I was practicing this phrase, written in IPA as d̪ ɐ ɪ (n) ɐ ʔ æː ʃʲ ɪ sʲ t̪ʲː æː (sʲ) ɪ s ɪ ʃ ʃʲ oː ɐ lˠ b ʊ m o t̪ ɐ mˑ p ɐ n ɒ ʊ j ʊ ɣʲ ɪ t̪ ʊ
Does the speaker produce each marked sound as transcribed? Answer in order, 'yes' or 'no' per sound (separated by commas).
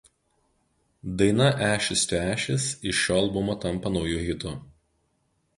yes, no